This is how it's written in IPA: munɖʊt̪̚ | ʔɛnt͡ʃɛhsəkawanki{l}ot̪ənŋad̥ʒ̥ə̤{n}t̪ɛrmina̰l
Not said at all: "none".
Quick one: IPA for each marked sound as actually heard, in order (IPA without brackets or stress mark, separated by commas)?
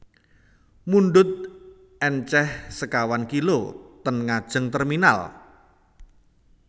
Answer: l, ŋ